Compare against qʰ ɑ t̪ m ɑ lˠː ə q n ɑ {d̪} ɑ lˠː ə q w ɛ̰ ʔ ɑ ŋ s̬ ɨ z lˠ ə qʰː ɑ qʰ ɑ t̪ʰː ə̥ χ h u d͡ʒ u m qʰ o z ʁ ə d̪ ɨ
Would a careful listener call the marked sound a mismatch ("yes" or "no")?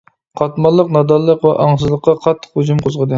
no